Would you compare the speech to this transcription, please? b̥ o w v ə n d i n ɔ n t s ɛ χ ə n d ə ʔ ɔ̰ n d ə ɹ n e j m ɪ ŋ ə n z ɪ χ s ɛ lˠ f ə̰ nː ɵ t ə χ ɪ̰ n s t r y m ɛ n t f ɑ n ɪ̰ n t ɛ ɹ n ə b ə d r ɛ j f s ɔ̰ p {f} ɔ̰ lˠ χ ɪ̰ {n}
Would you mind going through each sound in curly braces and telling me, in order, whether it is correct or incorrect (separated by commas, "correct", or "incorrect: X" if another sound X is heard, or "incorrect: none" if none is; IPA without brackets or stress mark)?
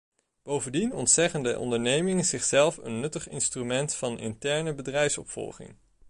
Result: correct, incorrect: ŋ